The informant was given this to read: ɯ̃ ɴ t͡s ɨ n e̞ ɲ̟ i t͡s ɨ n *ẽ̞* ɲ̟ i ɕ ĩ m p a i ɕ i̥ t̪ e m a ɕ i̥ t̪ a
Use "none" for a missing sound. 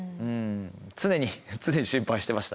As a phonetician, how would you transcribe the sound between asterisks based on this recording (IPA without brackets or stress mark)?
e̞